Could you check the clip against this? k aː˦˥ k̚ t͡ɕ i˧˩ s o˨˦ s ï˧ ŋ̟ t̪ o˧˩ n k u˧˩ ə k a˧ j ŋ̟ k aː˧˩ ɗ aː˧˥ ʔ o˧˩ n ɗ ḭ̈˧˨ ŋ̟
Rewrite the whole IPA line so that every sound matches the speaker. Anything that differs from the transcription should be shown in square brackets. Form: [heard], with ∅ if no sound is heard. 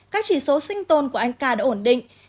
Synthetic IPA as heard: k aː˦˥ k̚ t͡ɕ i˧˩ s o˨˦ s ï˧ ŋ̟ t̪ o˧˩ n k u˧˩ ə [ʔ] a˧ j ŋ̟ k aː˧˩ ɗ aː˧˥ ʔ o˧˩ n ɗ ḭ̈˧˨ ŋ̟